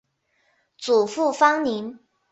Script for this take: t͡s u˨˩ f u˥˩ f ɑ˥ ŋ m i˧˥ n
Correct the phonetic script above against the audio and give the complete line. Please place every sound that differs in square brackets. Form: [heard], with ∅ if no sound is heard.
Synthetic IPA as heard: t͡s u˨˩ f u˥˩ f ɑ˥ ŋ [n] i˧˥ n